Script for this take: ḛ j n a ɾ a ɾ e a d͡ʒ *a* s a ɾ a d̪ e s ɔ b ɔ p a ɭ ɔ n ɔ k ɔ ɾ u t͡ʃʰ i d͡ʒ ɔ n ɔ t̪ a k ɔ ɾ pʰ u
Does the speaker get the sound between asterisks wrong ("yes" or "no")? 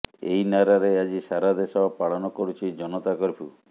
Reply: yes